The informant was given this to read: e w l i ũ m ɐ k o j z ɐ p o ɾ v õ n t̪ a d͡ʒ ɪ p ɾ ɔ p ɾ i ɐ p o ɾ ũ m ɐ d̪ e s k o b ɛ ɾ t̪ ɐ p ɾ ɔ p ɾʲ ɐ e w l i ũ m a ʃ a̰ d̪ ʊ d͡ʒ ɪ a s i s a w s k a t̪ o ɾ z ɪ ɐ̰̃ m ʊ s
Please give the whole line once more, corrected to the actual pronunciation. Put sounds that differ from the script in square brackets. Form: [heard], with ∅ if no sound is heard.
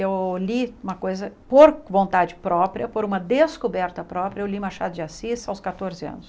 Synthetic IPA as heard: e w l i ũ m ɐ k o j z ɐ p o ɾ v õ n t̪ a d͡ʒ ɪ p ɾ ɔ p ɾ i ɐ p o ɾ ũ m ɐ d̪ e s k o b ɛ ɾ t̪ ɐ p ɾ ɔ p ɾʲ ɐ e w l i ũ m a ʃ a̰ d̪ ʊ d͡ʒ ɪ a s i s a w s k a t̪ o ɾ z ɪ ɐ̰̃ [n] ʊ s